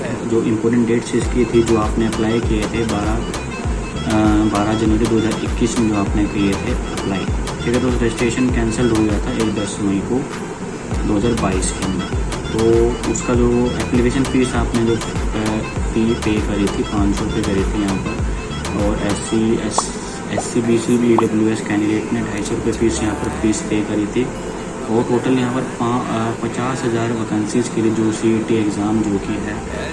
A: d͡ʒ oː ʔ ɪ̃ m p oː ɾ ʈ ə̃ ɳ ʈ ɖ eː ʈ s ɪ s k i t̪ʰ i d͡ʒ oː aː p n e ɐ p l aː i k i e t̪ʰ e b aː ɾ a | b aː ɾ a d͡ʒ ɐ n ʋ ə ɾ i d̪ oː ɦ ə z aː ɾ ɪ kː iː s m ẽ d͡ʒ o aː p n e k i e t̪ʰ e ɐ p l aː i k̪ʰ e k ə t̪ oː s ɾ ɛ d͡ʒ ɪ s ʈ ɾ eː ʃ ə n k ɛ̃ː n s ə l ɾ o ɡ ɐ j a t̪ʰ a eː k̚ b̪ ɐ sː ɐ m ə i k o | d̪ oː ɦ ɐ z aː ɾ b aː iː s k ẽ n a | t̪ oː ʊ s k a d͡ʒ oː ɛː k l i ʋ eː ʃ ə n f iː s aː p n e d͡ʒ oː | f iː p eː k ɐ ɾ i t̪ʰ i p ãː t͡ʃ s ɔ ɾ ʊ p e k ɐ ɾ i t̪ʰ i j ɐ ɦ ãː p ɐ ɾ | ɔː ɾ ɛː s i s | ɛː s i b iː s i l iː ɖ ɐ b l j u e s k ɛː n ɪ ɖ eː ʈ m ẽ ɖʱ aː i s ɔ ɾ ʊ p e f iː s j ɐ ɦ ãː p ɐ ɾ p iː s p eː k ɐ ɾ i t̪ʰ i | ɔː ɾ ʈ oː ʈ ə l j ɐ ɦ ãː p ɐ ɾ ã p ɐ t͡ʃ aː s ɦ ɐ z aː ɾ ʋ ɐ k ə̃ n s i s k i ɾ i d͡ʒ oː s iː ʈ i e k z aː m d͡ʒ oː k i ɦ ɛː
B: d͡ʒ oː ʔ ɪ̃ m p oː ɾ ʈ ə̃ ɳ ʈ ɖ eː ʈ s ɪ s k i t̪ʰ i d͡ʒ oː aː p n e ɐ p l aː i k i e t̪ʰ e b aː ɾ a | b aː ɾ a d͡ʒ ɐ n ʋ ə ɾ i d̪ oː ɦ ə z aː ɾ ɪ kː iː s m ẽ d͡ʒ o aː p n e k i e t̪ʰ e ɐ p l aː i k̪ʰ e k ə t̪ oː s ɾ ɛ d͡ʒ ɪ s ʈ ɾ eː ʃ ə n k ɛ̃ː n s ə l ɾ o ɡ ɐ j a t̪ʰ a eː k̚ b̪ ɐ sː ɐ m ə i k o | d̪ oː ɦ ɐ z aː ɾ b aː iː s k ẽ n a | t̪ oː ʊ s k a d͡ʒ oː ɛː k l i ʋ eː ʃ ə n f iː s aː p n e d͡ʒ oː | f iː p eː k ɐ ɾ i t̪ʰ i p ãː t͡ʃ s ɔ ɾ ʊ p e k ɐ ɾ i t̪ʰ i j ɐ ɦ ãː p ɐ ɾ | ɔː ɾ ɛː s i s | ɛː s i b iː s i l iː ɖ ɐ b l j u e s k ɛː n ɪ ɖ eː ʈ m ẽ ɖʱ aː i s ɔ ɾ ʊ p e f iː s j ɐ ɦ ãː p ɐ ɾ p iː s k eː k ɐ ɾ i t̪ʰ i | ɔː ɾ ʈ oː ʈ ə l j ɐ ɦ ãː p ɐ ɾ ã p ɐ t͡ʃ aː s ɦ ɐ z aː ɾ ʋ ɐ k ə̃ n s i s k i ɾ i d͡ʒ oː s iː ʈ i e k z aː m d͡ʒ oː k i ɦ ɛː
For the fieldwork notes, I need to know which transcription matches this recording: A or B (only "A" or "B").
A